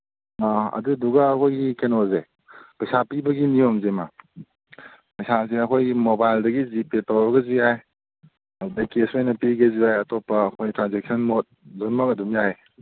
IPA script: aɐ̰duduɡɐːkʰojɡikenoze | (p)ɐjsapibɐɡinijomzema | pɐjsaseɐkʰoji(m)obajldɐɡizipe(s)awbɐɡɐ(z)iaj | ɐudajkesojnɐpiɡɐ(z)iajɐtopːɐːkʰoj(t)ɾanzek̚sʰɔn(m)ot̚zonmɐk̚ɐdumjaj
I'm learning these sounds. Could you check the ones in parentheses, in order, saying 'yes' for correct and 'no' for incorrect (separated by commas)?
yes, yes, no, yes, yes, yes, yes